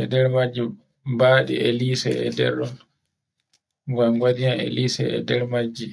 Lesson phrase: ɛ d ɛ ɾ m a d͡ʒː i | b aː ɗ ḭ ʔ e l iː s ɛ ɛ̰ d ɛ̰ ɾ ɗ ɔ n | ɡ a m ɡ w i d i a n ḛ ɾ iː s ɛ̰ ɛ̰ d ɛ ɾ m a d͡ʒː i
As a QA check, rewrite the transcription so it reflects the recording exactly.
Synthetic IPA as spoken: ɛ d ɛ ɾ m a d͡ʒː i | b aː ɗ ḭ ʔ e l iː s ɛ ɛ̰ d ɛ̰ ɾ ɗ ɔ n | ɡ a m ɡ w a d i a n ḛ l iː s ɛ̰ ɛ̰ d ɛ ɾ m a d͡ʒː i